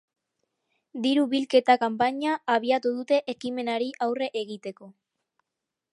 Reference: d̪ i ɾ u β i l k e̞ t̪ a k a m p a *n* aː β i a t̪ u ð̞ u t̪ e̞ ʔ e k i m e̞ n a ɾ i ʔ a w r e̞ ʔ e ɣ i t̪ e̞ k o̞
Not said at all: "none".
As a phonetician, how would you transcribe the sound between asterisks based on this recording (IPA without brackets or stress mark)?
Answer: ɲ